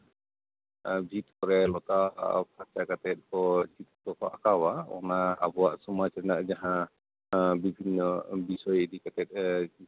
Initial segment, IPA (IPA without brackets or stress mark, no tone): bʱ